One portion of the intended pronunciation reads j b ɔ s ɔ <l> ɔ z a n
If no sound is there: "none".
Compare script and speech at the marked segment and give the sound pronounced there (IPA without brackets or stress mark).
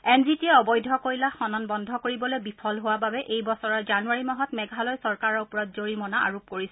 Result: ɹ